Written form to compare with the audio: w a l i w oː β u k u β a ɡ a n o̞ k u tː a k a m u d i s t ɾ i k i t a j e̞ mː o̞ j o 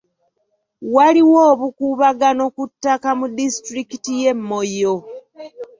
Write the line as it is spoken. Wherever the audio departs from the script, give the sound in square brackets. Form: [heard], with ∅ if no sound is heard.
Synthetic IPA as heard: w a l i w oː β u k u β a ɡ a n o̞ k u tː a k a m u d i s t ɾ i k i t [i] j e̞ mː o̞ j o

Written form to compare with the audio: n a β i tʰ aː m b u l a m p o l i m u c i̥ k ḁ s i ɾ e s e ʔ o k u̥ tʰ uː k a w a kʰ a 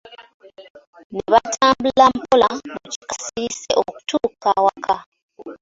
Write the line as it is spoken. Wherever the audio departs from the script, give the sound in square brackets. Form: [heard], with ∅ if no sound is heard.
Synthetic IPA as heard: n [e] β [a] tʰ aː m b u l a m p o l [a] m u c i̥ k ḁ s i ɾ [i] s e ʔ o k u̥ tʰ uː k a w a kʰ a

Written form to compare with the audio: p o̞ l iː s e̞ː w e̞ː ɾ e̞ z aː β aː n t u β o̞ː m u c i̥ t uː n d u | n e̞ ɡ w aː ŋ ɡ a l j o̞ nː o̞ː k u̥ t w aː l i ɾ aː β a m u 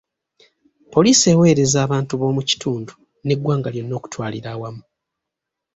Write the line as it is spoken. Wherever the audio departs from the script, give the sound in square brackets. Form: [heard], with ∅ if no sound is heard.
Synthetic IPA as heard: p o̞ l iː s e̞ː w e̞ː ɾ e̞ z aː β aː n t u β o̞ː m u c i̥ t uː n d u | n e̞ ɡ w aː ŋ ɡ a l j o̞ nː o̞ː k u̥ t w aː l i ɾ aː [w] a m u

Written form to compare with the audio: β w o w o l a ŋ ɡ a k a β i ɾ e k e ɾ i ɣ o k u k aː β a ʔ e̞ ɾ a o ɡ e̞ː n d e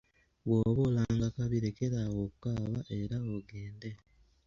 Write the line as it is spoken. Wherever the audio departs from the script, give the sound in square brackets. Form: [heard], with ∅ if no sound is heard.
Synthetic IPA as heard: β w o [β] o l a ŋ ɡ a k a β i ɾ e k e ɾ [a] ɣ o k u k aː β a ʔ e̞ ɾ a o ɡ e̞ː n d e

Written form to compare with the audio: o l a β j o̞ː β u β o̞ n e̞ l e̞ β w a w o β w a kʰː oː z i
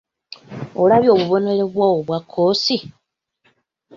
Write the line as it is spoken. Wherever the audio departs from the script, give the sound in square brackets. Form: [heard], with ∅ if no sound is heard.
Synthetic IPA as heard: o l a β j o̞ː β u β o̞ n e̞ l e̞ β w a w o β w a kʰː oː [s] i

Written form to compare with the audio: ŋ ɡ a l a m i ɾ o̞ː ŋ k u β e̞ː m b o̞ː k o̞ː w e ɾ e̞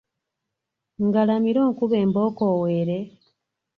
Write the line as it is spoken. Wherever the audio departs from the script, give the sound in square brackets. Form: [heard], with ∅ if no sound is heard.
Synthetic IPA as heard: ŋ ɡ a l a m i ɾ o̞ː ŋ k u β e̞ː m b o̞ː k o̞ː w e ɾ e̞

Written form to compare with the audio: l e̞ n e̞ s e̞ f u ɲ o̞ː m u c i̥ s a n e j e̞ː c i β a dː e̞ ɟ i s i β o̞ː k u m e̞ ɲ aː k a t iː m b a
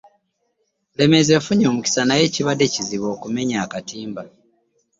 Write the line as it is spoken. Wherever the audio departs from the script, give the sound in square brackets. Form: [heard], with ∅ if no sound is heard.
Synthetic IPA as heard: l e̞ [m] e̞ [z] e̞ f u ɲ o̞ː m u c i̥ s a n [a] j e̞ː c i β a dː e̞ [c] i [z] i β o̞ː k u m e̞ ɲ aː k a t iː m b a

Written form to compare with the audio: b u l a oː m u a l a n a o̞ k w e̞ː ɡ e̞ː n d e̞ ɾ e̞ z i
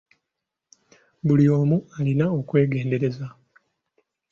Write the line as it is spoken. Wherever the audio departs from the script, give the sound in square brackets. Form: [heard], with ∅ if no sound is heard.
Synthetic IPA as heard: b u l [i] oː m u a l [i] n a o̞ k w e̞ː ɡ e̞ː n d e̞ ɾ e̞ z [a]

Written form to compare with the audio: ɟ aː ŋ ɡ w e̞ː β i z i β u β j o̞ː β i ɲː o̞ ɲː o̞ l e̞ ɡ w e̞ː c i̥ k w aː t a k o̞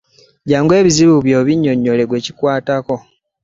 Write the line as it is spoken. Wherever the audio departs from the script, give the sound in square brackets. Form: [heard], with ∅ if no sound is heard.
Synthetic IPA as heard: ɟ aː ŋ ɡ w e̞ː β i z i β u β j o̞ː β i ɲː o̞ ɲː o̞ l e̞ ɡ w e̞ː c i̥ k w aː t a k o̞

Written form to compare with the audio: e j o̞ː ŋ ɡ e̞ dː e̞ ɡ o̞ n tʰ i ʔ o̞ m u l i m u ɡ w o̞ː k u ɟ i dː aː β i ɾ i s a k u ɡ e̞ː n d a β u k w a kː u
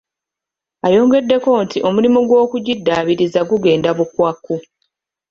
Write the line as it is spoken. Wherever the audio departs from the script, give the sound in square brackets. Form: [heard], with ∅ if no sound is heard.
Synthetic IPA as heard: [a] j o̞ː ŋ ɡ e̞ dː e̞ [k] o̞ n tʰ i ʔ o̞ m u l i m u ɡ w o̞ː k u ɟ i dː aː β i ɾ i [z] a [ɡ] u ɡ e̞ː n d a β u k w a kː u

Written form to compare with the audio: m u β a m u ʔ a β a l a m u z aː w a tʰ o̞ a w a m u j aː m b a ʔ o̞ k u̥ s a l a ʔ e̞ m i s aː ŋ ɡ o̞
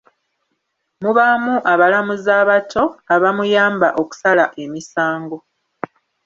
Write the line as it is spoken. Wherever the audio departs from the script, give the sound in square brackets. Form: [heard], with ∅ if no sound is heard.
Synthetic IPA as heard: m u β a m u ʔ a β a l a m u z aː [β] a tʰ o̞ a [β] a m u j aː m b a ʔ o̞ k u̥ s a l a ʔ e̞ m i s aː ŋ ɡ o̞

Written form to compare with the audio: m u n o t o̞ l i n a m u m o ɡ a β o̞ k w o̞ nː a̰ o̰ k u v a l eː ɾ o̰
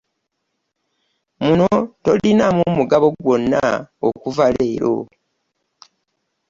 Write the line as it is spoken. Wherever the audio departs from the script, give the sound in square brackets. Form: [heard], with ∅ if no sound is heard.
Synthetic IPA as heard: m u n o t o̞ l i n a m u m [u] ɡ a β o̞ [ɡ] w o̞ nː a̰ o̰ k u v a l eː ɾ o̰

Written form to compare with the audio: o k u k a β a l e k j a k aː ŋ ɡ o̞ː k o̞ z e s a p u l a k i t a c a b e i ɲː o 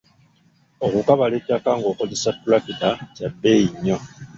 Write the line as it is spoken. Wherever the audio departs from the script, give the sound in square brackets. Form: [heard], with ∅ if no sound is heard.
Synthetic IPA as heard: o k u k a β a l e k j a k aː ŋ ɡ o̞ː k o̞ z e s a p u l a k i t a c a b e i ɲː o

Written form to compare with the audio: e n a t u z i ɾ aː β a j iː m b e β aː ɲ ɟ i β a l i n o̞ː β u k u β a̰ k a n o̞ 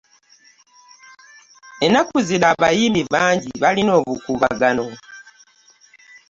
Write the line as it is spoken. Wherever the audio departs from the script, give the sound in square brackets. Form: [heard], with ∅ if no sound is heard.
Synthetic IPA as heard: e n a [k] u z i ɾ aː β a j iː m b [i] β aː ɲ ɟ i β a l i n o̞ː β u k u β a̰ [ɡ] a n o̞

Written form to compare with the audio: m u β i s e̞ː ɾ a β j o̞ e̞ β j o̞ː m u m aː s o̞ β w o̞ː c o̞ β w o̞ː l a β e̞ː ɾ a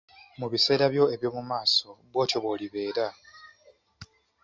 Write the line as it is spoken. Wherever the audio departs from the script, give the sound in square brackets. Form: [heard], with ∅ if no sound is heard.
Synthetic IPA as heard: m u β i s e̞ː ɾ a β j o̞ e̞ β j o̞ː m u m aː s o̞ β w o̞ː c o̞ β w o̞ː l [i] β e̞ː ɾ a

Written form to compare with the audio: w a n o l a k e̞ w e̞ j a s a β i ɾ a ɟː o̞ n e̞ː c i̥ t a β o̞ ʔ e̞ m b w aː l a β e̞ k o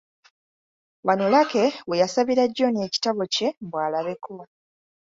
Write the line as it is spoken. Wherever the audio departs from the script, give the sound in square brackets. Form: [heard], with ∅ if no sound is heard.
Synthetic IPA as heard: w a n o l a k e̞ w e̞ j a s a β i ɾ a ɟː o̞ n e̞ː c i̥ t a β o̞ [c] e̞ m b w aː l a β e̞ k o

